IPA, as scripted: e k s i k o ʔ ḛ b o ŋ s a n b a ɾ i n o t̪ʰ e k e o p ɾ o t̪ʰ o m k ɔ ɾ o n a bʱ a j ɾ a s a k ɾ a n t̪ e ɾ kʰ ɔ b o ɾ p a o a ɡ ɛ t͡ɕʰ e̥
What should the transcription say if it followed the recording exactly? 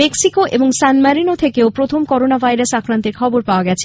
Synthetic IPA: e k s i k o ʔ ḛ b o ŋ s a n m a ɾ i n o t̪ʰ e k e o p ɾ o t̪ʰ o m k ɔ ɾ o n a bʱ a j ɾ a s a k ɾ a n t̪ e ɾ kʰ ɔ b o ɾ p a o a ɡ ɛ t͡ɕʰ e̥